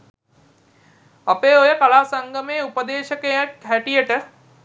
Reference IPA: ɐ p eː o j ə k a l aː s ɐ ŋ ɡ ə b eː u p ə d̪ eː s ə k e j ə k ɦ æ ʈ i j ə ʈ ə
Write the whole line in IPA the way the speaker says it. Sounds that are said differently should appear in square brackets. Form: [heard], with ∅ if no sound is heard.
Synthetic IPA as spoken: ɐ p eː o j ə k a l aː s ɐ ŋ ɡ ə [m] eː u p ə d̪ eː [ʃ] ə k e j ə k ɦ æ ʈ i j ə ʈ ə